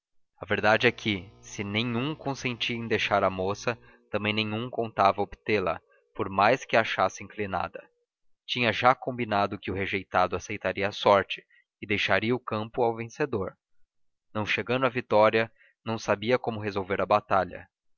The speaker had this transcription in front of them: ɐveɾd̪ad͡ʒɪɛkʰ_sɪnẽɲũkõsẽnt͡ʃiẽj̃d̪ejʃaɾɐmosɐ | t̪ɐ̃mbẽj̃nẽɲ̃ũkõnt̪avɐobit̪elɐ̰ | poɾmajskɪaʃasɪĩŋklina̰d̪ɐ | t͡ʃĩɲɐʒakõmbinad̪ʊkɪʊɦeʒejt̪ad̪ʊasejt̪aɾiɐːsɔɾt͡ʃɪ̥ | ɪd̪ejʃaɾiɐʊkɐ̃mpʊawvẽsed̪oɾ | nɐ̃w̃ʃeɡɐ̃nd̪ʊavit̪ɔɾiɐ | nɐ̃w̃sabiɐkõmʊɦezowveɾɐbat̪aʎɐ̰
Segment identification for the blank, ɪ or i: ɪ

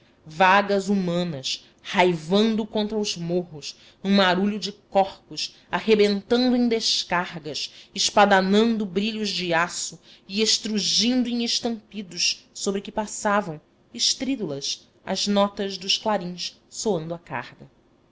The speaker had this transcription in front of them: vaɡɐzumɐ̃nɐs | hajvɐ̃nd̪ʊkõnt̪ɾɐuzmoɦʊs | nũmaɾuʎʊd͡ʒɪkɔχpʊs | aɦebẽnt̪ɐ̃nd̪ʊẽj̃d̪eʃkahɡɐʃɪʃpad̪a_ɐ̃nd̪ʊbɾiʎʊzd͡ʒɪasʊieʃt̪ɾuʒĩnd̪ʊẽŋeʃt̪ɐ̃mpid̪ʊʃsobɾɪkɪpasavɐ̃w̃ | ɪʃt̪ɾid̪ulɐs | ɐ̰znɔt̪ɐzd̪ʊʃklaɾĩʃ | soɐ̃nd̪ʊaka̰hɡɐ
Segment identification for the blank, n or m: n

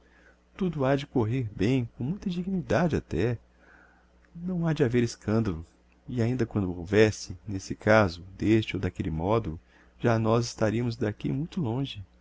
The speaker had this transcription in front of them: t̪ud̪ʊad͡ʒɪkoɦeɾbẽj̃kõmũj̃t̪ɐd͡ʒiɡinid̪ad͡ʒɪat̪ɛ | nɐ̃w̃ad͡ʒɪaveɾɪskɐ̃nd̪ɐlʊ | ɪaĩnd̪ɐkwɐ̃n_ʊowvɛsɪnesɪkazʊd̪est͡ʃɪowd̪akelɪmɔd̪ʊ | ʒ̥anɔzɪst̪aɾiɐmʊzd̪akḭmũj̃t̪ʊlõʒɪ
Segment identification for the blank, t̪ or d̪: d̪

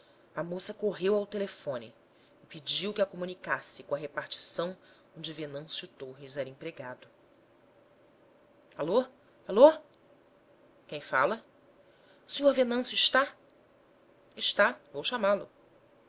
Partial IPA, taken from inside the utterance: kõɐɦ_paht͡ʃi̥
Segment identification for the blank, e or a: e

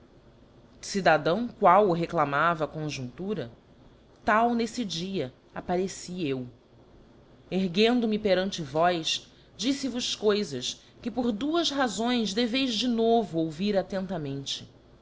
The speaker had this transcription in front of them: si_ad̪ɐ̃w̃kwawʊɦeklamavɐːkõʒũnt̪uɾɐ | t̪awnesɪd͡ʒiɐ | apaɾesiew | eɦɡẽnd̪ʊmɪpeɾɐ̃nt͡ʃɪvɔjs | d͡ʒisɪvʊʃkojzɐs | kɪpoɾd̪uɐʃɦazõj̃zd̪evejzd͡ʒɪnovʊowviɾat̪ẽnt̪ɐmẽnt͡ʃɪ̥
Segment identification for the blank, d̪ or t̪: d̪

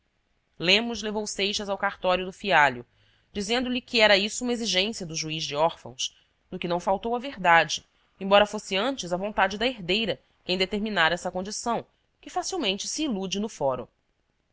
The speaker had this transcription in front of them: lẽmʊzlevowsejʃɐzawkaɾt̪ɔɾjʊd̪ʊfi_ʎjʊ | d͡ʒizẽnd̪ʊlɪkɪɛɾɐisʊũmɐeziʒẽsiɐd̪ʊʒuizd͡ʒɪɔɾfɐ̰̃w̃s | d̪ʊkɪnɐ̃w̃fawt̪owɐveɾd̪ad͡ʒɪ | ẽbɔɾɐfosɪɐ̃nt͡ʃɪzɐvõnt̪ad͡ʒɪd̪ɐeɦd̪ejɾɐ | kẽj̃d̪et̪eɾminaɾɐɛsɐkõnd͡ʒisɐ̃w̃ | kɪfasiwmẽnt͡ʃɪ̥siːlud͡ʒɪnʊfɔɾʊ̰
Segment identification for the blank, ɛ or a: a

